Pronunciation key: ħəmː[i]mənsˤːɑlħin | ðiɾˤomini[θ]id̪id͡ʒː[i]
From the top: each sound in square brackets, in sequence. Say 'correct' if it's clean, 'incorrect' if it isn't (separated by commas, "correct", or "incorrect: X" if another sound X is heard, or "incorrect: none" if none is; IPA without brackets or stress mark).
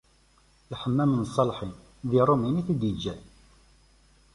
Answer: incorrect: æ, correct, incorrect: æ